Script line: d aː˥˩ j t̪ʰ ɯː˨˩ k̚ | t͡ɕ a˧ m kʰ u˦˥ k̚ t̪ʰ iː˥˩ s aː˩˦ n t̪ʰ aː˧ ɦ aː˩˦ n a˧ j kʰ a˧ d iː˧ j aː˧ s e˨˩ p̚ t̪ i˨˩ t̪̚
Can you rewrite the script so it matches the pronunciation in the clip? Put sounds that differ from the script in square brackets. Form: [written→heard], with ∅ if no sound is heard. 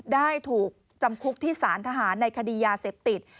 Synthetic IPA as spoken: d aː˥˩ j t̪ʰ [ɯː˨˩→uː˨˩] k̚ | t͡ɕ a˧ m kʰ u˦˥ k̚ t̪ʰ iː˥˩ s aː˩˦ n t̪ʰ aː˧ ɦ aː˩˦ [n→nː] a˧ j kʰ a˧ d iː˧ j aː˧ s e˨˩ p̚ t̪ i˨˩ t̪̚